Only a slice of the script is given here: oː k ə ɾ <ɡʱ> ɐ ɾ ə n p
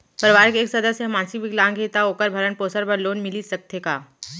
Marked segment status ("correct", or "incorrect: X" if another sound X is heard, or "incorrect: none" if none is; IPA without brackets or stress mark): incorrect: bʱ